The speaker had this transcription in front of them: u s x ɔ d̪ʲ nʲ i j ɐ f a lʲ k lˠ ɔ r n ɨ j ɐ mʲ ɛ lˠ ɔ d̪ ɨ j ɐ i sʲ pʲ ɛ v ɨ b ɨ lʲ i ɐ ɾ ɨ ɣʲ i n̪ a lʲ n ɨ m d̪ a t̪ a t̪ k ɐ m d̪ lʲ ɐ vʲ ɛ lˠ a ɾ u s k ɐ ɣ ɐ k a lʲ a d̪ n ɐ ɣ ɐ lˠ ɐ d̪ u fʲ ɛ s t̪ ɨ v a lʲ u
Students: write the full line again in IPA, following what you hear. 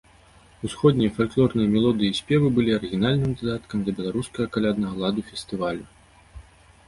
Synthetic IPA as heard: u s x ɔ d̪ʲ nʲ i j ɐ f a lʲ k lˠ ɔ r n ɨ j ɐ mʲ ɛ lˠ ɔ d̪ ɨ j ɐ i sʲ pʲ ɛ v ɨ b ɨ lʲ i ɐ ɾ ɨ ɣʲ i n̪ a lʲ n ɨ m d̪ a d̪ a t̪ k ɐ m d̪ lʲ ɐ bʲ ɛ lˠ a ɾ u s k ɐ ɣ ɐ k a lʲ a d̪ n ɐ ɣ ɐ lˠ a d̪ u fʲ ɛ s t̪ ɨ v a lʲ u